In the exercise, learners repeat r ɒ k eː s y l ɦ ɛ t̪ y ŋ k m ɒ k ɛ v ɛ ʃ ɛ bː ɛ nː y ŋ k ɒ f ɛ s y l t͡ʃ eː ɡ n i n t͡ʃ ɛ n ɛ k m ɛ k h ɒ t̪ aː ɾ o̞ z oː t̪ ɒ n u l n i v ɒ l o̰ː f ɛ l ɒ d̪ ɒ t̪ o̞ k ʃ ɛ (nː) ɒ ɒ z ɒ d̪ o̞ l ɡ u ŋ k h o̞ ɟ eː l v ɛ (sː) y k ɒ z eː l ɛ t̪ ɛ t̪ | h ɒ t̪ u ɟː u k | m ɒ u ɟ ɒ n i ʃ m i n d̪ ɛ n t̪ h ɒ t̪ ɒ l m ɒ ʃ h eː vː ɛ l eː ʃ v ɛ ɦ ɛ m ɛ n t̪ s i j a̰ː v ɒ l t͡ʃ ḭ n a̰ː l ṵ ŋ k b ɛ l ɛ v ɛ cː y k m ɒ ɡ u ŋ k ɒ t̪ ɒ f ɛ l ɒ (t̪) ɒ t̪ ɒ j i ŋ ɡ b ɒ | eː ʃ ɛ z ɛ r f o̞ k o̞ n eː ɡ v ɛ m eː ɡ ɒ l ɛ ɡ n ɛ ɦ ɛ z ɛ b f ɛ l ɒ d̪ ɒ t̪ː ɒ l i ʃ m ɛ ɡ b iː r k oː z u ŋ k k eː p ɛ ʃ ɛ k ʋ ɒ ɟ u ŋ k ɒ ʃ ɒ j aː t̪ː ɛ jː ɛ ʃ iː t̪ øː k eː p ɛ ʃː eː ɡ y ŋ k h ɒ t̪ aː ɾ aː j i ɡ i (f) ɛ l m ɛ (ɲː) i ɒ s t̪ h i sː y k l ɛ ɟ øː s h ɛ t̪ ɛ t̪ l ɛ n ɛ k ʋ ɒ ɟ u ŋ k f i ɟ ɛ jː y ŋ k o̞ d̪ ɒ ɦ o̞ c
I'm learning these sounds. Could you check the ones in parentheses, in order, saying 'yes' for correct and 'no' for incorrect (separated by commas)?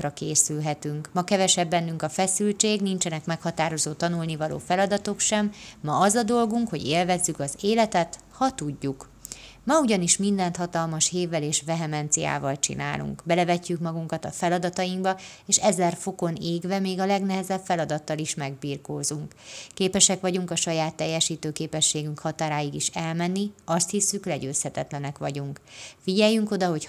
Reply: no, no, no, no, no